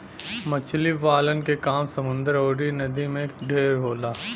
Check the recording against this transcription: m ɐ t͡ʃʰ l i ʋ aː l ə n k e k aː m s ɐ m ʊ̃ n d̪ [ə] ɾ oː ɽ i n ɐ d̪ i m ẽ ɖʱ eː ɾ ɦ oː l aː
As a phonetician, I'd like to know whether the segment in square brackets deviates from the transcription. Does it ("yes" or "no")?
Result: no